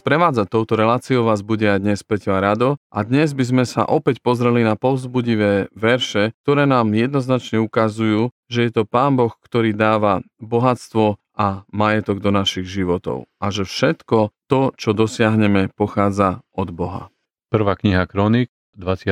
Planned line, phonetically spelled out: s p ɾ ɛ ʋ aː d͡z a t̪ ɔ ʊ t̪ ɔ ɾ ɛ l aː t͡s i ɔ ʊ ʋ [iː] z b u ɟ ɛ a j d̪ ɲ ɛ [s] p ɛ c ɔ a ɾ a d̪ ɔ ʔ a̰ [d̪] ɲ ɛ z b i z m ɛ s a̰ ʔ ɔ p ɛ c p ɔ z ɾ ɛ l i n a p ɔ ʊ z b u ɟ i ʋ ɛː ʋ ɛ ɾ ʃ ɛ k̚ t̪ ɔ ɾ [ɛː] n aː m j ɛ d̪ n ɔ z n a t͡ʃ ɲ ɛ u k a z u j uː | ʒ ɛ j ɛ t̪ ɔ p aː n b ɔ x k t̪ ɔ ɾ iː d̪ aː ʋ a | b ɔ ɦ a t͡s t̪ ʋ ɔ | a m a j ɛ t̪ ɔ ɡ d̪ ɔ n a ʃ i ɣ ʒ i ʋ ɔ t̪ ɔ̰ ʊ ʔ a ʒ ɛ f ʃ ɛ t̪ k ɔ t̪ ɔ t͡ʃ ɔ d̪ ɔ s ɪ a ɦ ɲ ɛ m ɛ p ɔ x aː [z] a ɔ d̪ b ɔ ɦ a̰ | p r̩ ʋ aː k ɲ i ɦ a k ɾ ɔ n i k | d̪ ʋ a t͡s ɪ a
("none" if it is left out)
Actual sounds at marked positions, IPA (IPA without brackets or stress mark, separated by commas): aː, s, d̪, ɛː, d͡z